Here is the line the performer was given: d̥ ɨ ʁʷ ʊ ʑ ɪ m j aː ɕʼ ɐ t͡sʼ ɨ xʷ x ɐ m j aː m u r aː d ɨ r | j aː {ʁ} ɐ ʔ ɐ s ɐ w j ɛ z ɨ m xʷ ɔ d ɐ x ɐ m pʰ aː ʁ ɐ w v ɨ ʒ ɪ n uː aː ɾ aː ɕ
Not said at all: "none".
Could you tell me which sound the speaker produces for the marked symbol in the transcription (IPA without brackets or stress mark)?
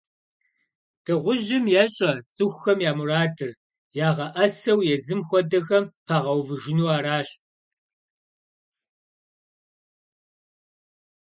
ʁ